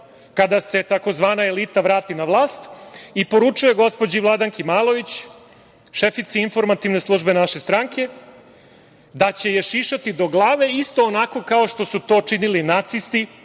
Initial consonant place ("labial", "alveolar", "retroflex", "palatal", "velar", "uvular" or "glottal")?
velar